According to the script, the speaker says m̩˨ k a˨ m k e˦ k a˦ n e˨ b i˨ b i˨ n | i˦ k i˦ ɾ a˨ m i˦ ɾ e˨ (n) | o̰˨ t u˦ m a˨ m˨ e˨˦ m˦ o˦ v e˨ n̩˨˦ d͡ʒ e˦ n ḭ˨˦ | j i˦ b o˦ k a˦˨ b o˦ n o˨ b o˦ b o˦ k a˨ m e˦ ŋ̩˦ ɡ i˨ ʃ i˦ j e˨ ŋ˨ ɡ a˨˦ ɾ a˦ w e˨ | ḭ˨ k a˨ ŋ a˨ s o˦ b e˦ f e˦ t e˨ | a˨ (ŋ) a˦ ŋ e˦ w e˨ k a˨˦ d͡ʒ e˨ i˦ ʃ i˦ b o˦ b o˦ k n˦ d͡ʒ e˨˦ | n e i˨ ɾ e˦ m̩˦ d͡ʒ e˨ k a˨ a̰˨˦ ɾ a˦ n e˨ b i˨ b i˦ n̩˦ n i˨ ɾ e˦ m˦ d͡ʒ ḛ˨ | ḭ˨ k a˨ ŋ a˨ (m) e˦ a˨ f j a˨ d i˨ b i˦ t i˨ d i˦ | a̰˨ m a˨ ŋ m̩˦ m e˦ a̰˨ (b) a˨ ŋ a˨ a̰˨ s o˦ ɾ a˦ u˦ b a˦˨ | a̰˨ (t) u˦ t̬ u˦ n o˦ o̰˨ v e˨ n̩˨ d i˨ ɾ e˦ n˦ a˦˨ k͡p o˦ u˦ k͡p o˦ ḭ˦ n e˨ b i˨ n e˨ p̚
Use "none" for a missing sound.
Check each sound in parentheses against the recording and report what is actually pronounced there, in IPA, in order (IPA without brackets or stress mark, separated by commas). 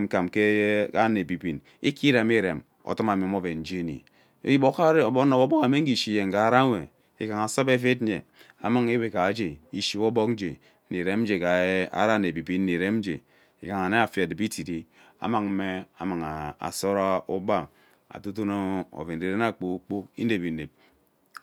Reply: m, m, n, m, t